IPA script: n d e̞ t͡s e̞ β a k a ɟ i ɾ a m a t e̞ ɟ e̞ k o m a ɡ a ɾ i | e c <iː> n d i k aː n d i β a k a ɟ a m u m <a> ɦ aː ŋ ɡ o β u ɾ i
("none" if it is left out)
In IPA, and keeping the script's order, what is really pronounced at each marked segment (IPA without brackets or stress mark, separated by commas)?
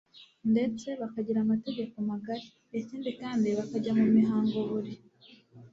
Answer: iː, i